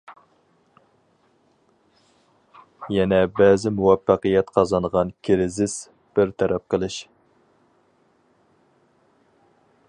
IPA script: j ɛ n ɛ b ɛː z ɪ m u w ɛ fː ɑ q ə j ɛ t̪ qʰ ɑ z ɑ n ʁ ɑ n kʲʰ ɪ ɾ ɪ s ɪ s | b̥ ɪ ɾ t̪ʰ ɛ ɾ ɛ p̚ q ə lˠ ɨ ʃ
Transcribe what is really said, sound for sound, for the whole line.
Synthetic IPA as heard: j ɛ n ɛ b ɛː z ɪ m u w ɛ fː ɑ q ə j ɛ t̪ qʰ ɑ z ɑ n ʁ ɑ n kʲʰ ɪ ɾ ɪ z ɪ s | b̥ ɪ ɾ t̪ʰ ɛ ɾ ɛ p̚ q ə lˠ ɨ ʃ